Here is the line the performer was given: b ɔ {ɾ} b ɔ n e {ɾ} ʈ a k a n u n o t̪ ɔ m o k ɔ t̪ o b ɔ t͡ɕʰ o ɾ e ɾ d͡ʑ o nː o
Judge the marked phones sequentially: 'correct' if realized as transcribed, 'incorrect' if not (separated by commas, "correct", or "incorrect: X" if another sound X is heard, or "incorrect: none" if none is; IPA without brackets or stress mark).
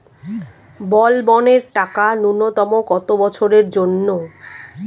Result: incorrect: l, correct